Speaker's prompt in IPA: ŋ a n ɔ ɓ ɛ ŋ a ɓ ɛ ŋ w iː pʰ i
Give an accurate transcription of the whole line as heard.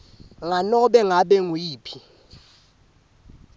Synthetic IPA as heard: ŋ a n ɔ ɓ ɛ ŋ a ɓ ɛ ŋ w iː pʰ i